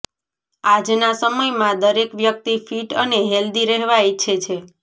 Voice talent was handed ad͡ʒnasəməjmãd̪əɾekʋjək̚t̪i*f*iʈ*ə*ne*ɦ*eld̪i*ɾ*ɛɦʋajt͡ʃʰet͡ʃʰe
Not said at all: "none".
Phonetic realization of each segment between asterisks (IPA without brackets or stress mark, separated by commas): f, ə, ɦ, ɾ